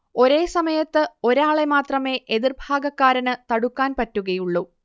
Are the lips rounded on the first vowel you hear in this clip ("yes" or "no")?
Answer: yes